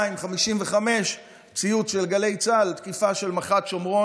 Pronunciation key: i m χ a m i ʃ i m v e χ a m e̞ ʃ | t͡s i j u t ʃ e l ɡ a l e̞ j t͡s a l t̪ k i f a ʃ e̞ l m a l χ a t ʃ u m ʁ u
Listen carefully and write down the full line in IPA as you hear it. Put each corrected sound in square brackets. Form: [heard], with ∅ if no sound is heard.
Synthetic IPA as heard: i m χ a m i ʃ i m v e χ a m e̞ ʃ | t͡s i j u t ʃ e l ɡ a l e̞ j t͡s a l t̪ k i f a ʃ e̞ l m a [∅] χ a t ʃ [o] m ʁ [o]